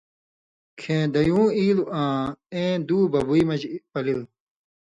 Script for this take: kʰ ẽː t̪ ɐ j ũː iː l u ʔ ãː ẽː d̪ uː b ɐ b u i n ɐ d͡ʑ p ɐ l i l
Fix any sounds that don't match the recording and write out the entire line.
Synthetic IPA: kʰ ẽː d̪ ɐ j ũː iː l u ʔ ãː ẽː d̪ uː b ɐ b u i m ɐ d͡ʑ p ɐ l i l